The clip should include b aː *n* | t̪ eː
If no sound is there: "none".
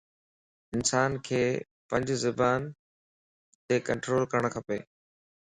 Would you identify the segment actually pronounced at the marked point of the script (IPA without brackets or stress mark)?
n